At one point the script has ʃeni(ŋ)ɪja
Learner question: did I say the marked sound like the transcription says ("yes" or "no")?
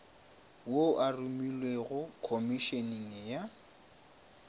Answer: yes